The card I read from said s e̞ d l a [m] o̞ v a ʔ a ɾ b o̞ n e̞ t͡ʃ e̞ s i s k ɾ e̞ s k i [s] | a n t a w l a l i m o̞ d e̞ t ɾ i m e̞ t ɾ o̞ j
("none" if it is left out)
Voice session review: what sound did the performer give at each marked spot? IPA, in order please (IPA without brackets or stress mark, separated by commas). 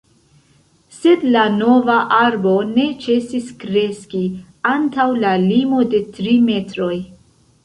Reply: n, none